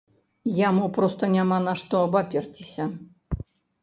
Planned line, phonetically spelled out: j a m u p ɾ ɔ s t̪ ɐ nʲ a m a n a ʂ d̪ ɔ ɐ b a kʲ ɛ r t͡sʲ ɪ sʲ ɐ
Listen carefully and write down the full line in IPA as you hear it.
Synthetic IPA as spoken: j a m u p ɾ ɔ s t̪ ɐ nʲ a m a n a ʂ t̪ ɔ ɐ b a pʲ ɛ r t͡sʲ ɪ sʲ ɐ